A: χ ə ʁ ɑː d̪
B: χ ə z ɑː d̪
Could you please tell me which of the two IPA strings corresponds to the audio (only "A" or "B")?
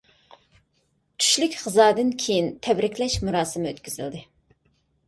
B